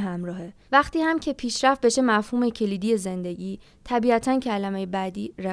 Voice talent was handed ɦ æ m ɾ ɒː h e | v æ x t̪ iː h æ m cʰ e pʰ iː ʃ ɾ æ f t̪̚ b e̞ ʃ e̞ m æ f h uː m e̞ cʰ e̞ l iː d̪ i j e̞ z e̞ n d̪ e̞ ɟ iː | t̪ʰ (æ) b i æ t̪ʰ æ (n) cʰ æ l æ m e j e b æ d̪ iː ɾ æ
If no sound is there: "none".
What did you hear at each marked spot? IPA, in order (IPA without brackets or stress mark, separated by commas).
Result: æ, n